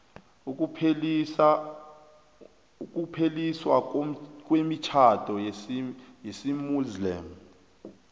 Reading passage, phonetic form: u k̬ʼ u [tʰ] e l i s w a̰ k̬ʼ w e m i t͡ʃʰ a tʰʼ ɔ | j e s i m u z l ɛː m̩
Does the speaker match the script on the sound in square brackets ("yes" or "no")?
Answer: no